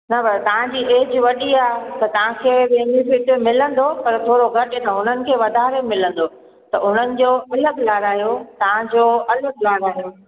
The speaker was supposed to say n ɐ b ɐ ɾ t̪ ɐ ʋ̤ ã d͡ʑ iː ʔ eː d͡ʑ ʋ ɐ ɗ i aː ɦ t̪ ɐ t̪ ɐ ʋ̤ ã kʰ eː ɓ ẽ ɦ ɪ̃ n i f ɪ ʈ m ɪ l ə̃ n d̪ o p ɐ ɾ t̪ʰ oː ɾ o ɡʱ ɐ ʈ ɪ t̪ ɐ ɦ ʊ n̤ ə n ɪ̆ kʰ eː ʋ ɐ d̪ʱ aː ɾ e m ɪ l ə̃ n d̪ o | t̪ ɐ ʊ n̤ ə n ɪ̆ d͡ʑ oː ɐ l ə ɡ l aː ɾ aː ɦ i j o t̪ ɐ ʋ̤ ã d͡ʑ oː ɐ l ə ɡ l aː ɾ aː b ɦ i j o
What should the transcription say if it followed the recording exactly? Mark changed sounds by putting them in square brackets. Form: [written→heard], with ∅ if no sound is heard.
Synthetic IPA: n ɐ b ɐ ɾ t̪ ɐ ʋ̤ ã d͡ʑ iː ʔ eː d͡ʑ ʋ ɐ ɗ i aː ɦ t̪ ɐ t̪ ɐ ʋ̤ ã kʰ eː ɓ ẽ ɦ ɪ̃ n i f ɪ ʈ m ɪ l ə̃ n d̪ o p ɐ ɾ t̪ʰ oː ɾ o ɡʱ ɐ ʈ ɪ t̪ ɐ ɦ ʊ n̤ ə n ɪ̆ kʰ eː ʋ ɐ d̪ʱ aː ɾ e m ɪ l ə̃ n d̪ o | t̪ ɐ ʊ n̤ ə n ɪ̆ d͡ʑ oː ɐ l ə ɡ l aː ɾ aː ɦ i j o t̪ ɐ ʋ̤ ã d͡ʑ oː ɐ l ə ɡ l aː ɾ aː [b→∅] ɦ i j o